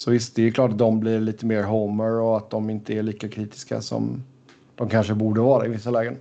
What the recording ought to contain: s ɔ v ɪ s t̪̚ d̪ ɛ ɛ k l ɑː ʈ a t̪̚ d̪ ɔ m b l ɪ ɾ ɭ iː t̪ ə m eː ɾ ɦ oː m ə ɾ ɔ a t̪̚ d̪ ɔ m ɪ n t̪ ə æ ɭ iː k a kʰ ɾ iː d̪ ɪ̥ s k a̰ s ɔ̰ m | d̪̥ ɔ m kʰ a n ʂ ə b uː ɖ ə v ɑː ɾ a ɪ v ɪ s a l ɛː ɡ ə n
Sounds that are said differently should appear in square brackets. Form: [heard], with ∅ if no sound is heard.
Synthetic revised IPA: s ɔ v ɪ s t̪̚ d̪ ɛ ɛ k l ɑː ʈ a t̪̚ d̪ ɔ m b l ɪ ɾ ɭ iː t̪ ə m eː ɾ ɦ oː m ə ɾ ɔ a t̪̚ d̪ ɔ m ɪ n t̪ ə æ ɭ iː k a kʰ ɾ iː [t̪] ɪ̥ s k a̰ s ɔ̰ m | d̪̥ ɔ m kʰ a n ʂ ə b uː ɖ ə v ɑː ɾ a ɪ v ɪ [sː] a l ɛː ɡ ə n